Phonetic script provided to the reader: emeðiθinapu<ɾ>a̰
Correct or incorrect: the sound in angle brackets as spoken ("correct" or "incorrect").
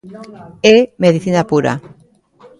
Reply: correct